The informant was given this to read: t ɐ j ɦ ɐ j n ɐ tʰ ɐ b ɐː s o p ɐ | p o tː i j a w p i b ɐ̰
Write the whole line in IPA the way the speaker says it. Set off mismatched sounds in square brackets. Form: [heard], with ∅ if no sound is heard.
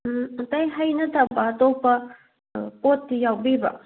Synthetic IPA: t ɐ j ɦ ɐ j n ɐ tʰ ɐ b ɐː [t] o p ɐ | p o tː i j a w [b] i b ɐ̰